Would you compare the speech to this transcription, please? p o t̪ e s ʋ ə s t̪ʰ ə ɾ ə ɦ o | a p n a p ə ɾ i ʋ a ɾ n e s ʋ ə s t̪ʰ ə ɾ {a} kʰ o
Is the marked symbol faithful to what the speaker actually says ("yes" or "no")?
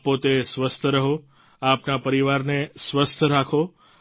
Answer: yes